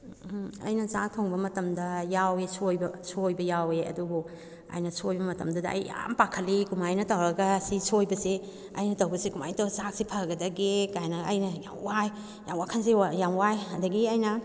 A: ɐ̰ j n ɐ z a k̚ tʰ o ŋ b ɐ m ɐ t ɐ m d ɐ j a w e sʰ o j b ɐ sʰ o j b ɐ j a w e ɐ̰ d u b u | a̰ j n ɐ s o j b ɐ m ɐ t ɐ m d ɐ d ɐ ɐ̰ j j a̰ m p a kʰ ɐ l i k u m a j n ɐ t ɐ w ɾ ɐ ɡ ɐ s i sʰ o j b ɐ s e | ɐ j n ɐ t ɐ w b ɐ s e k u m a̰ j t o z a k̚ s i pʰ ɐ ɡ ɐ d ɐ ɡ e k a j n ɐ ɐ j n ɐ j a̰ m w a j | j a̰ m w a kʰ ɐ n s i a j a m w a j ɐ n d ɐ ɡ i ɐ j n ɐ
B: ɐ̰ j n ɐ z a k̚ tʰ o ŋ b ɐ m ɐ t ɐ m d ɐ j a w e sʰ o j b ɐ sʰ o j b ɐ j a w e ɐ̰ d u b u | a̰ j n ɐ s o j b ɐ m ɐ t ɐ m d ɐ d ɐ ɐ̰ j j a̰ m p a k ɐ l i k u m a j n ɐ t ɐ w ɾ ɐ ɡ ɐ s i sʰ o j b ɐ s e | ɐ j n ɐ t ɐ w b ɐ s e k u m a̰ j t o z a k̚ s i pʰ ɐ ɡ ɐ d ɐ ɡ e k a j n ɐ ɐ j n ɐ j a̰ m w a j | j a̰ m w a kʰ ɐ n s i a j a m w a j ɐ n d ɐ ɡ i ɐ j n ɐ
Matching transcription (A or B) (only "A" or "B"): A